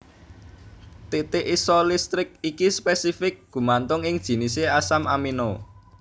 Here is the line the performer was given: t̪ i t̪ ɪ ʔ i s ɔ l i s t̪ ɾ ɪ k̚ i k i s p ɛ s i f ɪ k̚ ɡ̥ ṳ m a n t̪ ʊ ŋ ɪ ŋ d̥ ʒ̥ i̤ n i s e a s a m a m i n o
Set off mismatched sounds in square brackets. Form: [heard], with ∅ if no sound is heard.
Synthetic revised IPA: t̪ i t̪ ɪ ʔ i s ɔ l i s t̪ ɾ ɪ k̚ i k i s p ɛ s i f ɪ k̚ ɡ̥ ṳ m a n t̪ ʊ ŋ ɪ ŋ d̥ ʒ̥ i̤ n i s e a s a m a m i n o

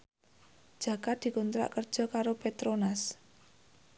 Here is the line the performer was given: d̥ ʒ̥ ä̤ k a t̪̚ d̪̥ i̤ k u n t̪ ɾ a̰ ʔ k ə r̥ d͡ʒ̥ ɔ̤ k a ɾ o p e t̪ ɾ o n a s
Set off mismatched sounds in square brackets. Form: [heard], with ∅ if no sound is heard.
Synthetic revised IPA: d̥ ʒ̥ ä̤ k a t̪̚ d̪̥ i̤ k u n t̪ ɾ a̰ ʔ k ə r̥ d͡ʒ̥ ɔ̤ k a ɾ o p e t̪ ɾ o n a s

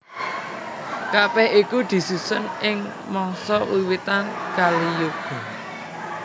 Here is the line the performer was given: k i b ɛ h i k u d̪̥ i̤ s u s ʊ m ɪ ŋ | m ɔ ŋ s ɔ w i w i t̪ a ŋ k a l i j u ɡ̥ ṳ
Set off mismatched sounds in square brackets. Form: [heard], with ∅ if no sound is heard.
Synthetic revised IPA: k [a] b ɛ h i k u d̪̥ i̤ s u s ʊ [n] ɪ ŋ | m ɔ ŋ s ɔ w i w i t̪ a [n] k a l i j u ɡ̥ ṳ

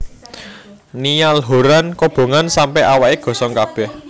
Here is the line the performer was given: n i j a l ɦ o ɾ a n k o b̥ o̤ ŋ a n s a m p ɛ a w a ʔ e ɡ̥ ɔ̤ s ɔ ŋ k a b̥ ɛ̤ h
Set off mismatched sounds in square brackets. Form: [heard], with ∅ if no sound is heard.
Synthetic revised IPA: n i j a l ɦ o ɾ a n k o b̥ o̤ ŋ a n s a m p ɛ a w a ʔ e ɡ̥ ɔ̤ s ɔ ŋ k a b̥ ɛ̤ h

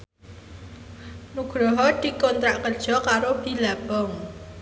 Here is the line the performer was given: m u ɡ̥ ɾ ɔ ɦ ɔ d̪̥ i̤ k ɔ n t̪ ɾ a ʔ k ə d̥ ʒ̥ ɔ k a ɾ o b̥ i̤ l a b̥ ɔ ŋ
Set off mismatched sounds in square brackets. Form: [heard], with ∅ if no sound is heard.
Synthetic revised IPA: [n] u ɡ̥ ɾ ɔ ɦ ɔ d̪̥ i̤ k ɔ n t̪ ɾ a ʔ k ə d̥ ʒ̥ ɔ k a ɾ o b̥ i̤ l a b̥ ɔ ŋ

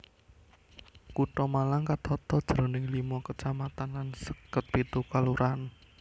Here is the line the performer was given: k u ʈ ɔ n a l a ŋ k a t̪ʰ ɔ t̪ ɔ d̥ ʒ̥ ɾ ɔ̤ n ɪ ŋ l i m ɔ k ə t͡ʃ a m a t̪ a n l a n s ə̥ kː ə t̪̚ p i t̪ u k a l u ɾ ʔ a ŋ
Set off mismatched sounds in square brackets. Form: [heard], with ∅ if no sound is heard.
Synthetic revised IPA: k u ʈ ɔ [m] a l a ŋ k a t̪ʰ ɔ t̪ ɔ d̥ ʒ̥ ɾ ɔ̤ n ɪ ŋ l i m ɔ k ə t͡ʃ a m a t̪ a n l a n s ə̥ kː ə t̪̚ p i t̪ u k a l u ɾ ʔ a [n]

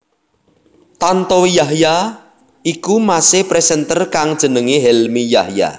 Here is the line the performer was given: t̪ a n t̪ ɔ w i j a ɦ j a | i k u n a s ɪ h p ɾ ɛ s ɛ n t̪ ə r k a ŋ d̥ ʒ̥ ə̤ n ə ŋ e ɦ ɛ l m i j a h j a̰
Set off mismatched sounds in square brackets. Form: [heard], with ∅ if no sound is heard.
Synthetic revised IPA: t̪ a n t̪ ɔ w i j a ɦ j a | i k u [m] a s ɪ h p ɾ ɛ s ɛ n t̪ ə r k a ŋ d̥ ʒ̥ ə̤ n ə ŋ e ɦ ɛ l m i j a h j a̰

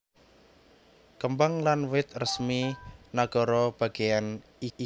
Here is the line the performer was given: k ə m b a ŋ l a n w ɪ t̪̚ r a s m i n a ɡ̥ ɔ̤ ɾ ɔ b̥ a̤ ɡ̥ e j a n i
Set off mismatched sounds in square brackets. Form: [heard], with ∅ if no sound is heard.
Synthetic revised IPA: k ə m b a ŋ l a n w ɪ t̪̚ r [ə] s m i n a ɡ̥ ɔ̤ ɾ ɔ b̥ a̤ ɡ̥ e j a n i

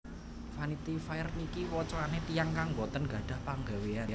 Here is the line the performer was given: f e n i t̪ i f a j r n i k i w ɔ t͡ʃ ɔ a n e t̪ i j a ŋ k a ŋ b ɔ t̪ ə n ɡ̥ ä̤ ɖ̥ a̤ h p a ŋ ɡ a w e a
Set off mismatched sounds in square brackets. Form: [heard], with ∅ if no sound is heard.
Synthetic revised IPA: f [a] n i t̪ i f a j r n i k i w ɔ t͡ʃ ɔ a n e t̪ i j a ŋ k a ŋ b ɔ t̪ ə n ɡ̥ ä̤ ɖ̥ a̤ h p a ŋ ɡ a w e a

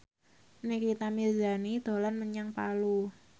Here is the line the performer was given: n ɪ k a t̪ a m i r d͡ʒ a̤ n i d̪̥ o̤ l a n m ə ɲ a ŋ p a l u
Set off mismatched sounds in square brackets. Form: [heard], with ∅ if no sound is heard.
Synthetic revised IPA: n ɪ k [i] t̪ a m i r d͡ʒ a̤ n i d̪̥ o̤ l a n m ə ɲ a ŋ p a l u

